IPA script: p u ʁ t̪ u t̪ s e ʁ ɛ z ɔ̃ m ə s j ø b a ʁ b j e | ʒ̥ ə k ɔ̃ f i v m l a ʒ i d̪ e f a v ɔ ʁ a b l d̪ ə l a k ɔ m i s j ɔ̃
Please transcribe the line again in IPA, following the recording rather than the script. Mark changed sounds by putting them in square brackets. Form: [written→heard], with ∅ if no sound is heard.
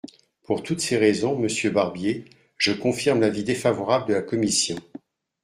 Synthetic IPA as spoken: p u ʁ t̪ u t̪ s e ʁ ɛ z ɔ̃ m ə s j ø b a ʁ b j e | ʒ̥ ə k ɔ̃ f i [v→ʁ] m l a [ʒ→v] i d̪ e f a v ɔ ʁ a b l d̪ ə l a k ɔ m i s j ɔ̃